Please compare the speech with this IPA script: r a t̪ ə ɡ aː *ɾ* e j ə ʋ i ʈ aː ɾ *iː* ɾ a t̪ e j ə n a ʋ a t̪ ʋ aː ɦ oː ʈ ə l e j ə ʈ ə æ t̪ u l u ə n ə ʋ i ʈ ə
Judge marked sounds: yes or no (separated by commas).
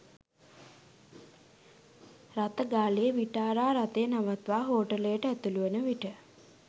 no, no